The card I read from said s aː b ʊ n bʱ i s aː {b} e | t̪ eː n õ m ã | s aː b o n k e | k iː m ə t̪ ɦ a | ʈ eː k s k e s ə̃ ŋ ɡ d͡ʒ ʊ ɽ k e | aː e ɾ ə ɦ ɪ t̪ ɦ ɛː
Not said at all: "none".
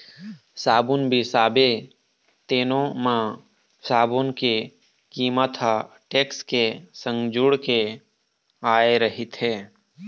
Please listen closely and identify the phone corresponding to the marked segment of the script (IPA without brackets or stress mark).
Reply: b